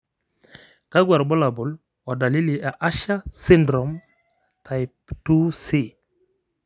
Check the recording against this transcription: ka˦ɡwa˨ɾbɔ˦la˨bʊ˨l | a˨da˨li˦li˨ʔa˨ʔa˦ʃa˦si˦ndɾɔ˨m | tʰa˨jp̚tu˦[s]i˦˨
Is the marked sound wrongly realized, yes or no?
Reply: no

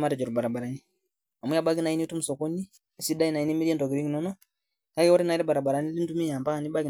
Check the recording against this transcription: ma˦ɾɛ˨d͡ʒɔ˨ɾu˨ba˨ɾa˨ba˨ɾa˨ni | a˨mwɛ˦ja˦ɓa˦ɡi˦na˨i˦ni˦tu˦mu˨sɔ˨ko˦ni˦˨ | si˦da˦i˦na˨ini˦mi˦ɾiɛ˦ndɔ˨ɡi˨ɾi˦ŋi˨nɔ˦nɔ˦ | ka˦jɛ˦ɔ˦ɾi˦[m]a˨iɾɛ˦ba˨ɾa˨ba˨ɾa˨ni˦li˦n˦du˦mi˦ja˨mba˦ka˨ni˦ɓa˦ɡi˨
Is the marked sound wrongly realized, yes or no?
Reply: yes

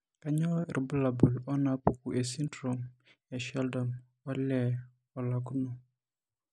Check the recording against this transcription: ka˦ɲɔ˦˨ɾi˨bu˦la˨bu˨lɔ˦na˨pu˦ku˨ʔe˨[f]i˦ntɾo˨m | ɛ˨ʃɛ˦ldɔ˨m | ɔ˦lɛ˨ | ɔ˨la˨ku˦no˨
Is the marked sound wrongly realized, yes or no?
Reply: yes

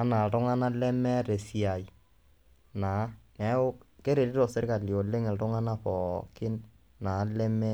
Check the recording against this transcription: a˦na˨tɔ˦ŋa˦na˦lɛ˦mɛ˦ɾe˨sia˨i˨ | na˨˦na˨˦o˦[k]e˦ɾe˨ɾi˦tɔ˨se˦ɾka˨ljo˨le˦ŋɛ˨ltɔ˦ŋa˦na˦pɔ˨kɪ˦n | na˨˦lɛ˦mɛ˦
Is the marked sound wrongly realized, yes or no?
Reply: no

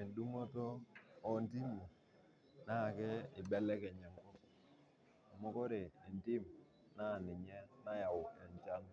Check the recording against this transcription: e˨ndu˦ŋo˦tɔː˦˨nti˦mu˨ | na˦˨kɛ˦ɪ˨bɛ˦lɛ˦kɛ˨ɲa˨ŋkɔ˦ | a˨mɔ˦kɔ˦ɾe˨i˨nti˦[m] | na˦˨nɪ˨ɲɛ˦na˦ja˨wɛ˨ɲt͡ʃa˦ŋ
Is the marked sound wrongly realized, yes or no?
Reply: no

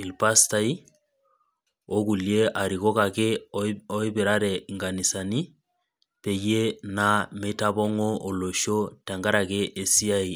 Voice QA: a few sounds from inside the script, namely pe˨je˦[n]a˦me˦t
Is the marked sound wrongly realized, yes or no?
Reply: no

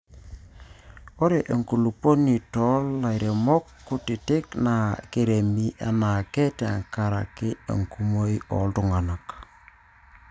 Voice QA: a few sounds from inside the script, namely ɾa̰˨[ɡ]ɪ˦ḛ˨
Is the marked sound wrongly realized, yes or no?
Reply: yes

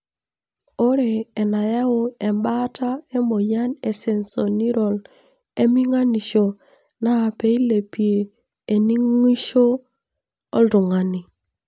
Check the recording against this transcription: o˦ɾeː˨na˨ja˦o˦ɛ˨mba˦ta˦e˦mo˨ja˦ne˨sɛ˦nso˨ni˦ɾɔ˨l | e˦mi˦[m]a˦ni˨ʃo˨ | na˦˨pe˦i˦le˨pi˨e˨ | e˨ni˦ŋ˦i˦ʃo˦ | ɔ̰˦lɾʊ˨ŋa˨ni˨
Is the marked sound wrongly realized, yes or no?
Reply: yes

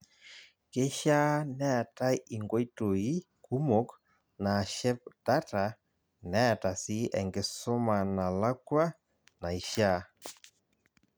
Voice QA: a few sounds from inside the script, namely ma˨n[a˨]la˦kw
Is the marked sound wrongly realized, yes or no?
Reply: no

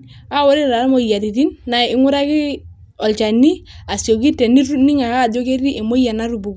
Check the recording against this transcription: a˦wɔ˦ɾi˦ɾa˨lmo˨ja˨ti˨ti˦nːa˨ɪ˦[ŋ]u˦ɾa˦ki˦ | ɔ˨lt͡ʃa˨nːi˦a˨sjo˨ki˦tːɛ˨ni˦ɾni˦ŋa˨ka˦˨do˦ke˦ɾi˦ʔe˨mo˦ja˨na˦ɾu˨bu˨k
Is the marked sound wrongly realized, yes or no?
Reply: no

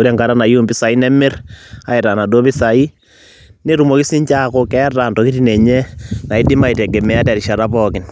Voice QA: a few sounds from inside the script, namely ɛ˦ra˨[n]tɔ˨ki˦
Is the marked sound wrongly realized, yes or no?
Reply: no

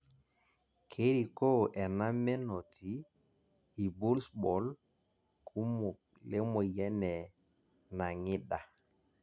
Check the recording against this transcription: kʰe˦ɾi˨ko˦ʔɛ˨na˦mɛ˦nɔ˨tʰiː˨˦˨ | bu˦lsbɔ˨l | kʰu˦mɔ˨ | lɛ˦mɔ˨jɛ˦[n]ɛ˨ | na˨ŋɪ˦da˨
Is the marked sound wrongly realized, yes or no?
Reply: no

